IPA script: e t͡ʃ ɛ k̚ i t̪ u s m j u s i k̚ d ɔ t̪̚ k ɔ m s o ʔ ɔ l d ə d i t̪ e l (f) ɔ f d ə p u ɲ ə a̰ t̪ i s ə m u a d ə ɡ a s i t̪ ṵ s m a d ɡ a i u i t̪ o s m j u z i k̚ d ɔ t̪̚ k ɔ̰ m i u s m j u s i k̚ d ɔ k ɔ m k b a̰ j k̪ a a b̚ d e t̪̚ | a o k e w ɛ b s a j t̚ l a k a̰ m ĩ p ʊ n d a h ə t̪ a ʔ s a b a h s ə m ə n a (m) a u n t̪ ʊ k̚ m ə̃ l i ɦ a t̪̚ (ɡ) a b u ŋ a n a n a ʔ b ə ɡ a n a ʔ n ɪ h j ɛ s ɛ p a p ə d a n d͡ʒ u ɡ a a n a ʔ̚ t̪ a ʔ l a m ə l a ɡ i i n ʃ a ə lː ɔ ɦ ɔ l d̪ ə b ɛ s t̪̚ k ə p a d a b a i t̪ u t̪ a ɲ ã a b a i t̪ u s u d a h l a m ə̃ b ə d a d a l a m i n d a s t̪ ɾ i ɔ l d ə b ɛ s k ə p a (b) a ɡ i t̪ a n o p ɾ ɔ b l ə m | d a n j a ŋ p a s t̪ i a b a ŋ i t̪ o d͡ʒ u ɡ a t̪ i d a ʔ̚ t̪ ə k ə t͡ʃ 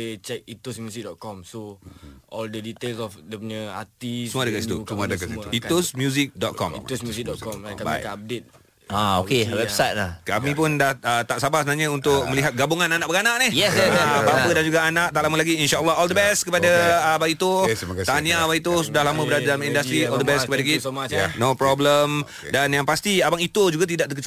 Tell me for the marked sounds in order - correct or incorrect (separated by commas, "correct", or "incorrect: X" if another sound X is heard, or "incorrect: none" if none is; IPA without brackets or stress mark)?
incorrect: s, incorrect: ɲ, correct, incorrect: d